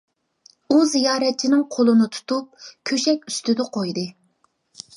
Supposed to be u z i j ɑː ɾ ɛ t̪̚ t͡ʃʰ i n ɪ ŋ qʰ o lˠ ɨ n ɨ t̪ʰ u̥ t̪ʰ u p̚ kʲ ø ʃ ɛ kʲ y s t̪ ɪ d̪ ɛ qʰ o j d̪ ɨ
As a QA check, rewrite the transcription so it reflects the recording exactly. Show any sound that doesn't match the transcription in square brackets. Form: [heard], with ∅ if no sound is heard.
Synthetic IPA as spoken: u z i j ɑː ɾ ɛ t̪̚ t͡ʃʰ i n ɪ ŋ qʰ o lˠ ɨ n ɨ t̪ʰ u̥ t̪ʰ u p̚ [kʲʰ] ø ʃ ɛ kʲ y s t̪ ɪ d̪ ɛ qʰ o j d̪ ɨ